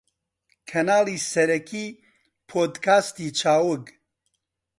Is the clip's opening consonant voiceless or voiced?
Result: voiceless